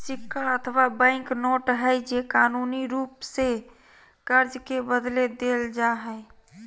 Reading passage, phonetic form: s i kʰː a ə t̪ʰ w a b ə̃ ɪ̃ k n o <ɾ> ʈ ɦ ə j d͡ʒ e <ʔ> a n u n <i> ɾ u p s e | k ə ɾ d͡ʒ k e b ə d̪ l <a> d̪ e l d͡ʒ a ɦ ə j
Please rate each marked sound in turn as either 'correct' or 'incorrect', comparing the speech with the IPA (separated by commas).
incorrect, incorrect, correct, incorrect